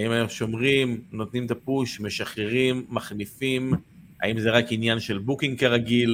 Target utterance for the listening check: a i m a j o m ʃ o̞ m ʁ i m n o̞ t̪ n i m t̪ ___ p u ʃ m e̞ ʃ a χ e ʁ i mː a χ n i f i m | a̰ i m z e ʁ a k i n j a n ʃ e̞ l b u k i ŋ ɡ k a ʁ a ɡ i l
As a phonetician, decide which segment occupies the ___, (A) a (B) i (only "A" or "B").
A